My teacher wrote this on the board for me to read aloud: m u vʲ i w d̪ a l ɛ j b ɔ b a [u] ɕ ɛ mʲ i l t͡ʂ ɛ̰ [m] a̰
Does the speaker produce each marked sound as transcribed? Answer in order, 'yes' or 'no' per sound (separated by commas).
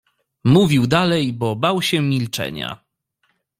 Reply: no, no